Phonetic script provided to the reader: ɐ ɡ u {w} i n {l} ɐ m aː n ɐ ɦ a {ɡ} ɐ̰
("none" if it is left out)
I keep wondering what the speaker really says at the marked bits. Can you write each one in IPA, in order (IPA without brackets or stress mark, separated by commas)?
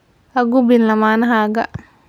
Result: b, l, ɡ